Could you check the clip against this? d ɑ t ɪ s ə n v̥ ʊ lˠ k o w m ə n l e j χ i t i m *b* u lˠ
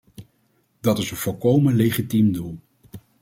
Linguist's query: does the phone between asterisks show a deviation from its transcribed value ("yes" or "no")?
yes